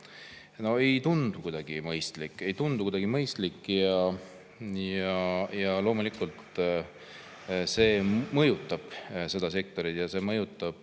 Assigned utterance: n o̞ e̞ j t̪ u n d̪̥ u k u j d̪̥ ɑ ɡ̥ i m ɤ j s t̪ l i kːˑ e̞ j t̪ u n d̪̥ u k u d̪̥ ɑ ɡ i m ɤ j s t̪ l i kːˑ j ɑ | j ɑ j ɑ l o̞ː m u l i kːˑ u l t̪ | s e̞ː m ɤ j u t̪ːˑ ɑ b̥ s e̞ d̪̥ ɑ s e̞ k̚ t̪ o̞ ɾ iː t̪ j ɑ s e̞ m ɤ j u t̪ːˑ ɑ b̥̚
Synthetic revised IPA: n o̞ e̞ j t̪ u n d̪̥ u k u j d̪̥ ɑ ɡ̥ i m ɤ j s t̪ l i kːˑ e̞ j t̪ u n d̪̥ u k u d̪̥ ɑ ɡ i m ɤ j s t̪ l i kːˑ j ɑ | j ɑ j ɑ l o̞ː m u l i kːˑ u l t̪ | s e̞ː m ɤ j u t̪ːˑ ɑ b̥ s e̞ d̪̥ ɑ s e̞ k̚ t̪ o̞ ɾ i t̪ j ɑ s e̞ m ɤ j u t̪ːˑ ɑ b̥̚

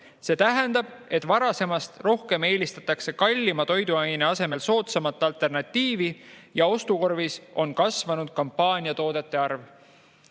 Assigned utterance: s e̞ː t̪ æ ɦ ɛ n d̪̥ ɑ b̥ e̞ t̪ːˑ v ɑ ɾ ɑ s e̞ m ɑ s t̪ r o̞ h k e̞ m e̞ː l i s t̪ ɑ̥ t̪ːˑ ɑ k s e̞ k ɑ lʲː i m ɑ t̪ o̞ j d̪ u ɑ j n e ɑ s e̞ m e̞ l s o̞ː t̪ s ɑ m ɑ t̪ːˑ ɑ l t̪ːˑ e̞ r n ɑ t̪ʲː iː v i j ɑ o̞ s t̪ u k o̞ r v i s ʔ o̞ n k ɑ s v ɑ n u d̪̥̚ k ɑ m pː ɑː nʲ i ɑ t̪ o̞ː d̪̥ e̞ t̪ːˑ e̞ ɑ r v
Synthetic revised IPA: s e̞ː t̪ æ ɦ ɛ n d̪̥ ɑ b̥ e̞ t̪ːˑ v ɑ ɾ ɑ s e̞ m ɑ s t̪ r o̞ h k e̞ m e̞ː l i s t̪ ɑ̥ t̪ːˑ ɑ k s e̞ k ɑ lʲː i m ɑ t̪ o̞ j d̪ u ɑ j n e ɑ s e̞ m e̞ l s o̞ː t̪ s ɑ m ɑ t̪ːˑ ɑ l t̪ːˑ e̞ r n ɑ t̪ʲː iː v i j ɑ o̞ s t̪ u k o̞ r v i s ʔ o̞ n k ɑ s v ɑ n u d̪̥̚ k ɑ m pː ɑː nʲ i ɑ t̪ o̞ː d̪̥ e̞ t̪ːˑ e̞ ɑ r v

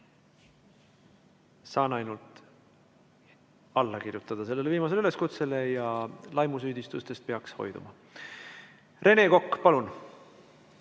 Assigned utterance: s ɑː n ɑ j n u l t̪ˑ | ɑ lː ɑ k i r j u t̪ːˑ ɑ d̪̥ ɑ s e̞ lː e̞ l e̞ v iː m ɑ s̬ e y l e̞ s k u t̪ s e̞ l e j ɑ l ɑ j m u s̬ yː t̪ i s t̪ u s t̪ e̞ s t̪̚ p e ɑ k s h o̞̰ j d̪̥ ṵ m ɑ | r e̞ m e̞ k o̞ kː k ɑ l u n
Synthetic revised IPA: s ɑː n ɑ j n u l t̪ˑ | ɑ lː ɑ k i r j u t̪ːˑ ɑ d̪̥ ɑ s e̞ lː e̞ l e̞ v iː m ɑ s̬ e y l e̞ s k u t̪ s e̞ l e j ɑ l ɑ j m u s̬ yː d̪ i s t̪ u s t̪ e̞ s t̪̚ p e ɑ k s h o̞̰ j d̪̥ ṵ m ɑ | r e̞ n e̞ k o̞ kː p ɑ l u n

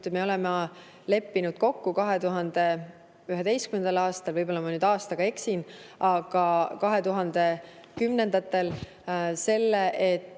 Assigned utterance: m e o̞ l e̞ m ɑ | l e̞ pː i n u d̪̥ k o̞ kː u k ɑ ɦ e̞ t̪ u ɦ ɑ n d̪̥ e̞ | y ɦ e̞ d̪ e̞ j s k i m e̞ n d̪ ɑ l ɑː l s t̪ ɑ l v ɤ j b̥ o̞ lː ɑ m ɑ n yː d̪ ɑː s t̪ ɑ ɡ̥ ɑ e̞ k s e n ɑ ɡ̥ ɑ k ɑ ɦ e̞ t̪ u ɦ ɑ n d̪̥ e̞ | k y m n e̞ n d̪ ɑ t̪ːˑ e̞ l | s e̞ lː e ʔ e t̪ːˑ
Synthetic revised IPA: m e o̞ l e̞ m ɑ | l e̞ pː i n u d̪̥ k o̞ kː u k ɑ ɦ e̞ t̪ u ɦ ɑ n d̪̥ e̞ | y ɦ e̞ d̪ e̞ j s k y m e̞ n d̪ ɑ l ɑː s t̪ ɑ l v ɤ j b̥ o̞ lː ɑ m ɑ n yː d̪ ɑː s t̪ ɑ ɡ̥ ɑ e̞ k s i n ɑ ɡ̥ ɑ k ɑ ɦ e̞ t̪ u ɦ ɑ n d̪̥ e̞ | k y m n e̞ n d̪ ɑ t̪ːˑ e̞ l | s e̞ lː e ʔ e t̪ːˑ

